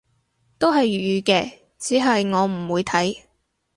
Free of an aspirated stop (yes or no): no